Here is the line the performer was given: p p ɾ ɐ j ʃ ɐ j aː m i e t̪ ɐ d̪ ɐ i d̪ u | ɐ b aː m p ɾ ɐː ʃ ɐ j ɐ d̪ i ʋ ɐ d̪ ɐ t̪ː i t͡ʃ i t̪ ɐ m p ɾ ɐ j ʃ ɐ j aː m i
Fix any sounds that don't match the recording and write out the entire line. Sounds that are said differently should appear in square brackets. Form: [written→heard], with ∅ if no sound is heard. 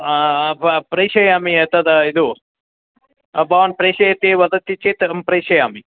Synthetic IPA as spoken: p p ɾ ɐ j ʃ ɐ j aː m i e t̪ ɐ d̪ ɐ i d̪ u | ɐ b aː [m→n] p ɾ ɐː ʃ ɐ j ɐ [d̪→t̪] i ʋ ɐ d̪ ɐ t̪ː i t͡ʃ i t̪ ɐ m p ɾ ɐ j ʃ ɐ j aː m i

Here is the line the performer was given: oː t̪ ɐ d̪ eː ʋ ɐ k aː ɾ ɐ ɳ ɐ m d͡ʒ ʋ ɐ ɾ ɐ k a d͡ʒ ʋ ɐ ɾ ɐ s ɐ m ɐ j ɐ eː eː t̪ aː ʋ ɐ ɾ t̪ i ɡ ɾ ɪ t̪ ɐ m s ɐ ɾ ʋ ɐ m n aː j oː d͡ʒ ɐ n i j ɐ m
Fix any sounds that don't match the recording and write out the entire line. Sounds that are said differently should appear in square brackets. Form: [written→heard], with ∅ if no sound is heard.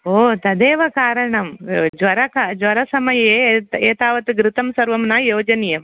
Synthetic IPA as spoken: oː t̪ ɐ d̪ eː ʋ ɐ k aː ɾ ɐ ɳ ɐ m d͡ʒ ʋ ɐ ɾ ɐ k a d͡ʒ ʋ ɐ ɾ ɐ s ɐ m ɐ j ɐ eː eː t̪ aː ʋ ɐ [ɾ→∅] t̪ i ɡ ɾ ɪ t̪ ɐ m s ɐ ɾ ʋ ɐ m n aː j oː d͡ʒ ɐ n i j ɐ m

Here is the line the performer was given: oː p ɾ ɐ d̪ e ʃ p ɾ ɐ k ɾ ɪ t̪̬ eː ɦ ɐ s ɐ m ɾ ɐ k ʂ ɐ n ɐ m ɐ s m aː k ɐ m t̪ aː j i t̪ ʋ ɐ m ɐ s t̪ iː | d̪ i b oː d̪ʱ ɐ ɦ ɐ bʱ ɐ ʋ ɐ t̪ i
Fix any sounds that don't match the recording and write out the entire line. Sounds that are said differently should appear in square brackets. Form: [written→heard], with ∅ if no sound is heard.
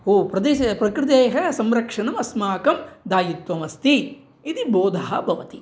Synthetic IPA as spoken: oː p ɾ ɐ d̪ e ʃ p ɾ ɐ k ɾ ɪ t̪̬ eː ɦ ɐ s ɐ m ɾ ɐ k ʂ ɐ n ɐ m ɐ s m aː k ɐ m [t̪→d̪] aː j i t̪ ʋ ɐ m ɐ s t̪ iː | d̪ i b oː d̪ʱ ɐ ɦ ɐ bʱ ɐ ʋ ɐ t̪ i

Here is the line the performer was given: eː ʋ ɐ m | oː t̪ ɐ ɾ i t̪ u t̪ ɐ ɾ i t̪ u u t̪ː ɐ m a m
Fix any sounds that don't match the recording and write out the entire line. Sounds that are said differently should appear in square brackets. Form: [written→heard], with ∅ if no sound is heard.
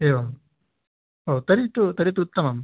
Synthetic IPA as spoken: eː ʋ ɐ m | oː t̪ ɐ ɾ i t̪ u t̪ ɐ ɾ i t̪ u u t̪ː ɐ m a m

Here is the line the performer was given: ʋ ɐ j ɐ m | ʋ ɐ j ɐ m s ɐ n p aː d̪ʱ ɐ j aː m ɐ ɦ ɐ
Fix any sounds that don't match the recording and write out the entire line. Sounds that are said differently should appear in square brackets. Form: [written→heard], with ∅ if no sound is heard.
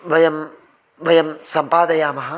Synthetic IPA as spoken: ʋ ɐ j ɐ m | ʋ ɐ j ɐ m s ɐ [n→m] p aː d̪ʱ ɐ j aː m ɐ ɦ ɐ

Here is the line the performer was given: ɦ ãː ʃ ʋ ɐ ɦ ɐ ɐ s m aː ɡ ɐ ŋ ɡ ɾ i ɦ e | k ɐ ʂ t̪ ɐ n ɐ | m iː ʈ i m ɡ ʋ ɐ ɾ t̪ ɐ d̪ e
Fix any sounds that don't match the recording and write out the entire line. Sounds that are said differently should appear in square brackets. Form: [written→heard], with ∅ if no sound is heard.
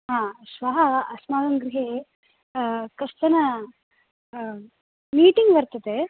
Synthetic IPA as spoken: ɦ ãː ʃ ʋ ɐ ɦ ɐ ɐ s m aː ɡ ɐ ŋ ɡ ɾ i ɦ e | k ɐ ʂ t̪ ɐ n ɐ | m iː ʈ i [m→ŋ] ɡ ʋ ɐ ɾ t̪ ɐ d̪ e

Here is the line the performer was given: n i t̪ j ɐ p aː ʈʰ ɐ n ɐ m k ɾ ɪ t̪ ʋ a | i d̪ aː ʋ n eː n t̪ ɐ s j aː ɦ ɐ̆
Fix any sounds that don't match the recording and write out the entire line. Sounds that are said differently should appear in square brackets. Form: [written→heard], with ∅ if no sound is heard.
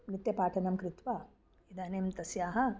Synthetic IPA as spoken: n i t̪ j ɐ p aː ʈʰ ɐ n ɐ m k ɾ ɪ t̪ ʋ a | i d̪ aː [ʋ→∅] n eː [n→m] t̪ ɐ s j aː ɦ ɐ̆

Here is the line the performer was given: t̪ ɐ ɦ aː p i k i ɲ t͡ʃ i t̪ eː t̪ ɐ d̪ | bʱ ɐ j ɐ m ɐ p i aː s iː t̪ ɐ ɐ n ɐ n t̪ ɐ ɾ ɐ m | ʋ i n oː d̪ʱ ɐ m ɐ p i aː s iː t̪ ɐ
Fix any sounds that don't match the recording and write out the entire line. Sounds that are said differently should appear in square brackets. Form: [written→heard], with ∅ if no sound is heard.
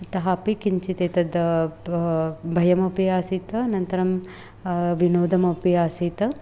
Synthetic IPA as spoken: t̪ ɐ ɦ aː p i k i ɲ t͡ʃ i t̪ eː t̪ ɐ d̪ | bʱ ɐ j ɐ m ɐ p i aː s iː t̪ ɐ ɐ n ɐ n t̪ ɐ ɾ ɐ m | ʋ i n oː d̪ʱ ɐ m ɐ p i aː s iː t̪ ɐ

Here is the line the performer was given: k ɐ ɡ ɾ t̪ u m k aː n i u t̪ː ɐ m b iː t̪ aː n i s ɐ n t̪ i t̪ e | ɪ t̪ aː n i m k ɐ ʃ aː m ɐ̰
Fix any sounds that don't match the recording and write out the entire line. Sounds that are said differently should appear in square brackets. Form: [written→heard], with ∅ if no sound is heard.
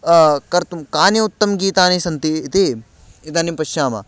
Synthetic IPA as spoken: k ɐ [ɡ→∅] ɾ t̪ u m k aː n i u t̪ː ɐ m [b→ɡ] iː t̪ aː n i s ɐ n t̪ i t̪ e | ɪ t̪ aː n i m [k→p] ɐ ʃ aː m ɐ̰

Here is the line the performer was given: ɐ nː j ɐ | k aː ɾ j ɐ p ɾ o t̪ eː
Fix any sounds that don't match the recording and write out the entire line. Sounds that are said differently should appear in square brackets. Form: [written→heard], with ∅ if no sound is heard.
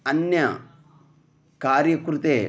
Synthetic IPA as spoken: ɐ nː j ɐ | k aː ɾ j ɐ [p→k] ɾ [o→u] t̪ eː

